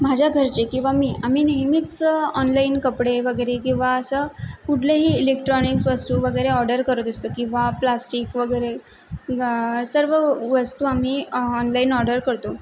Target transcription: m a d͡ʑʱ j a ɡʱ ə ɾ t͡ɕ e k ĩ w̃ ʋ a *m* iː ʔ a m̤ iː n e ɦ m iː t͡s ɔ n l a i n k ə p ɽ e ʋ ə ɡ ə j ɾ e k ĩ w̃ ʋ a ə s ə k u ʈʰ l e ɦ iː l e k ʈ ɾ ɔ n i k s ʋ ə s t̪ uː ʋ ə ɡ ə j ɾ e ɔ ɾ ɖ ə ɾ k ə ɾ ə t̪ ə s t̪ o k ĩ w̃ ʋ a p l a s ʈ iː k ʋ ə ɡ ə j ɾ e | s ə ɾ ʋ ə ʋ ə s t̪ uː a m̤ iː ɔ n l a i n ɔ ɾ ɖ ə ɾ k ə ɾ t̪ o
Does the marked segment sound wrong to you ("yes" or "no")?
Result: no